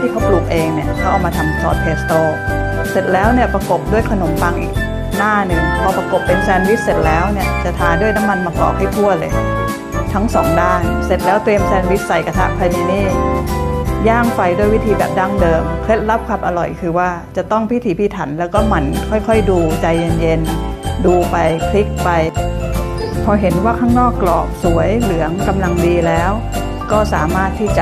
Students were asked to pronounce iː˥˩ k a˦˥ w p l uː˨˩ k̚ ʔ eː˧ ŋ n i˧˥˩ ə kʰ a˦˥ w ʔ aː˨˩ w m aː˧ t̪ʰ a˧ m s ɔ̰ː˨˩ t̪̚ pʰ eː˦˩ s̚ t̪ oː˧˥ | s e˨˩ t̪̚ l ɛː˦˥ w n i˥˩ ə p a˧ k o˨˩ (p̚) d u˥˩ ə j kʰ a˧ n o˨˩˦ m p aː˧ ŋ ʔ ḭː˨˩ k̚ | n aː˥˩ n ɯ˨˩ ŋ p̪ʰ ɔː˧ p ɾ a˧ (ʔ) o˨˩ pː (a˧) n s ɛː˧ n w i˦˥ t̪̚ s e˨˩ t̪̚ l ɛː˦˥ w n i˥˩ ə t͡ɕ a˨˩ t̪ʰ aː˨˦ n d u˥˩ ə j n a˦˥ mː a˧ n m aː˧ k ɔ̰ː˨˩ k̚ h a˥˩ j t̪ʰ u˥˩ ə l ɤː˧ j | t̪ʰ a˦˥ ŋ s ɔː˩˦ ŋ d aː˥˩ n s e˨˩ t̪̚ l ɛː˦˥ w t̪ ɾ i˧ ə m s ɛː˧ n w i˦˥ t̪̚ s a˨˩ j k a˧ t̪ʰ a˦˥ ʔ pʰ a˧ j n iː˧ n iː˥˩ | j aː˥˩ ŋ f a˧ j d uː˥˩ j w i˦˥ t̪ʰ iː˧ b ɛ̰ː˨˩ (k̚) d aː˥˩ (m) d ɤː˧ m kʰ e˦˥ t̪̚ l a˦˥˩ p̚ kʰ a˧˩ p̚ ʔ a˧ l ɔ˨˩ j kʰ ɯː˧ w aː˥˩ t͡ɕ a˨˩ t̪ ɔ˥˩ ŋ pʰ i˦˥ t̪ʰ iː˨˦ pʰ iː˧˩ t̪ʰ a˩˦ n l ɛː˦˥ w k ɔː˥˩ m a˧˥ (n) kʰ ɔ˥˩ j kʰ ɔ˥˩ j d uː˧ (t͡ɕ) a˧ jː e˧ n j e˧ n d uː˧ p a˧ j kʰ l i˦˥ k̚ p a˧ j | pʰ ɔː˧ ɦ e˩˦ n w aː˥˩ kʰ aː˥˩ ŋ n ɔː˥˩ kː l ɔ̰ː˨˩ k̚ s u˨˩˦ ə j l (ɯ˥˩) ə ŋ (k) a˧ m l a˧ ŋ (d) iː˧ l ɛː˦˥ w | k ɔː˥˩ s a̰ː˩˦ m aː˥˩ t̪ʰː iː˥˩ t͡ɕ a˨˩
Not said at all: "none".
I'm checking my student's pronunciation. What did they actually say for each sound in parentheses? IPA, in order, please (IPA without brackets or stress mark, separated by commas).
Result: p̚, k, e˧, p̚, ŋ, n, t͡ɕ, ɯ˩˦, k, d